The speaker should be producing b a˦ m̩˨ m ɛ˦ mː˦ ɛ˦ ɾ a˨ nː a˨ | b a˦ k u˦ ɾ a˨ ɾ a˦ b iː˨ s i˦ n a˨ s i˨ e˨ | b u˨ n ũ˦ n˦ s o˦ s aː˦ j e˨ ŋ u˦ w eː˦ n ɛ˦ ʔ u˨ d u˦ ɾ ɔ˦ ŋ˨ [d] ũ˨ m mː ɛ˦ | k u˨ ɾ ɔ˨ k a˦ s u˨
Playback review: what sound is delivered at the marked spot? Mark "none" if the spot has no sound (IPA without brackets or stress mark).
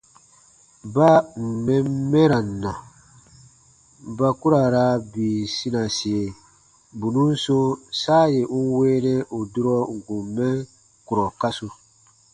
ɡ